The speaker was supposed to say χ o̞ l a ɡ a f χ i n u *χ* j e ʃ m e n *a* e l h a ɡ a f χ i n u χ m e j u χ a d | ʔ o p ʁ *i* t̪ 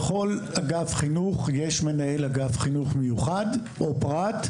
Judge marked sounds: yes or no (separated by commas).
yes, yes, no